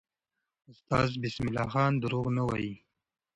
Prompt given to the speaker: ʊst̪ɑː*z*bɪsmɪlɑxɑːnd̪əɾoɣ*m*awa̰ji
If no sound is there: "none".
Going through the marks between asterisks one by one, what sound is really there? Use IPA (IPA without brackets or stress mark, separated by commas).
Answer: z, n